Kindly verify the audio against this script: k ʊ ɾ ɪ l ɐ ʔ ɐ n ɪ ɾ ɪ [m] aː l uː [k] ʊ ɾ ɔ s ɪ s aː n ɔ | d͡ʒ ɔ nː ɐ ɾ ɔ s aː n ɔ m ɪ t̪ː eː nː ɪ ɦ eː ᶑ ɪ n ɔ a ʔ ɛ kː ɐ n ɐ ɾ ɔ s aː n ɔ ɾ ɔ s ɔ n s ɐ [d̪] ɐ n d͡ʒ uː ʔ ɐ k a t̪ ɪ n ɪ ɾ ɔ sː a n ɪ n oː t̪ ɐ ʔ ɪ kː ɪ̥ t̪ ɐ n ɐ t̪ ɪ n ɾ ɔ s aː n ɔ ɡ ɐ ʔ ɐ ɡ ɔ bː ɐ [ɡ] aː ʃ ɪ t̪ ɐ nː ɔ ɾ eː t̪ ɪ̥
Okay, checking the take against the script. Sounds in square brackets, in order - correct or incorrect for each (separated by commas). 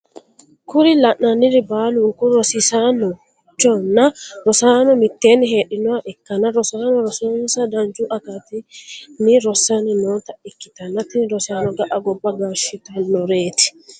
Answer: incorrect, correct, correct, correct